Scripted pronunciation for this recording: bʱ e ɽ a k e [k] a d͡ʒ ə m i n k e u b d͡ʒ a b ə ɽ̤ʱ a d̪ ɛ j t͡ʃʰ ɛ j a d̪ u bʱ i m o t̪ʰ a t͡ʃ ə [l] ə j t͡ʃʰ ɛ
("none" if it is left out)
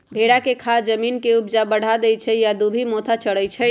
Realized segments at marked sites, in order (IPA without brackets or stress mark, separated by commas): kʰ, ɽ